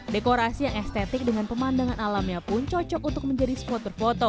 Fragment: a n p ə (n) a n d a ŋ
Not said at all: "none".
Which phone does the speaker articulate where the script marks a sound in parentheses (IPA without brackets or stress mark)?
m